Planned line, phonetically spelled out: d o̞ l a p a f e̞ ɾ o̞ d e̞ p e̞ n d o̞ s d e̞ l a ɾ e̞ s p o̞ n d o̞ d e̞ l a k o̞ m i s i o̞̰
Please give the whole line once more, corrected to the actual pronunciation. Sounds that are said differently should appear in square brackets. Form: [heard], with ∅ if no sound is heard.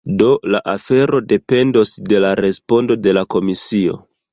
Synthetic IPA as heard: d o̞ l a [ʔ] a f e̞ ɾ o̞ d e̞ p e̞ n d o̞ s d e̞ l a ɾ e̞ s p o̞ n d o̞ d e̞ l a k o̞ m i s i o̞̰